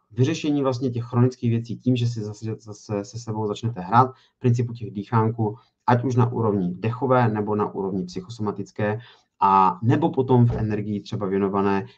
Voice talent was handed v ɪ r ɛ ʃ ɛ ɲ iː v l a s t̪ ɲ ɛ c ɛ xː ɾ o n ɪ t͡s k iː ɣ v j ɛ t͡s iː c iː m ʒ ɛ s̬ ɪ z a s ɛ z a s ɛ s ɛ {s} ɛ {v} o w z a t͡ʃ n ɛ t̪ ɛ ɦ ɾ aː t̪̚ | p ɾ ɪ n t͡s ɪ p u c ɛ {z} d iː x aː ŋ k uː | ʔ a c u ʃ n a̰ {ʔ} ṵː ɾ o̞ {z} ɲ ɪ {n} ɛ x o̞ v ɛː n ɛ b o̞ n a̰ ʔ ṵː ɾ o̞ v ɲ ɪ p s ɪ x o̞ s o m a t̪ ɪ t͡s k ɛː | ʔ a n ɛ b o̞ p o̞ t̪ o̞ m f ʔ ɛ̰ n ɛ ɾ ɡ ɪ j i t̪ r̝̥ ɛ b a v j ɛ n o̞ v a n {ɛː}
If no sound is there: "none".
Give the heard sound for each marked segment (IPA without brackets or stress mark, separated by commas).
s, b, ɣ, ʔ, v, d, ɛː